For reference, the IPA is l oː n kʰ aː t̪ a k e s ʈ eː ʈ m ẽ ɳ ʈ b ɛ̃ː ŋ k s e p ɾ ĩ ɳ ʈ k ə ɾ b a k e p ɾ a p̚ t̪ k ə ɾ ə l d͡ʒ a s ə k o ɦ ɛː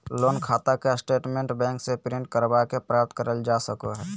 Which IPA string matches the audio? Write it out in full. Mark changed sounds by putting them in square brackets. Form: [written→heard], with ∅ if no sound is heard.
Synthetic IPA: l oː n kʰ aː t̪ a k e s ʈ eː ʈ m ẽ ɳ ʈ b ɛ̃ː ŋ k s e p ɾ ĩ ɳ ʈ k ə ɾ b a k e p ɾ a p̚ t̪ k ə ɾ ə l d͡ʒ a s ə k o ɦ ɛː